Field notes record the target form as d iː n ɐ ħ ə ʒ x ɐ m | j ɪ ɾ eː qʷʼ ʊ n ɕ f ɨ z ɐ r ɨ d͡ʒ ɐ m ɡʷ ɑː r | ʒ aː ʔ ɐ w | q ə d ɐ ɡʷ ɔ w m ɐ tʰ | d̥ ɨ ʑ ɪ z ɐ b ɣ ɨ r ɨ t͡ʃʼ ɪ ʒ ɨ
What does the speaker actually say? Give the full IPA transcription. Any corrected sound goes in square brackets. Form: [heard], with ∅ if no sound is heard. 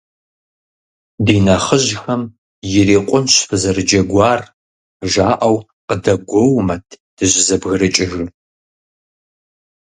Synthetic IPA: d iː n ɐ [χ] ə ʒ x ɐ m | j ɪ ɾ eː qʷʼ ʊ n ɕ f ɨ z ɐ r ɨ d͡ʒ ɐ [∅] ɡʷ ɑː r | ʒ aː ʔ ɐ w | q ə d ɐ ɡʷ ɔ w m ɐ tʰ | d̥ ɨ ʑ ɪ z ɐ b ɣ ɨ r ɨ t͡ʃʼ ɪ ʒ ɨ